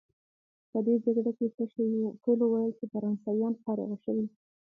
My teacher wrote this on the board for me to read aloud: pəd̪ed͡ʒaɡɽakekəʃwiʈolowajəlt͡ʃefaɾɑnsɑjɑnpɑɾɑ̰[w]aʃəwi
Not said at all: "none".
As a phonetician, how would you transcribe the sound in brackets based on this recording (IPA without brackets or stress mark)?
ɣ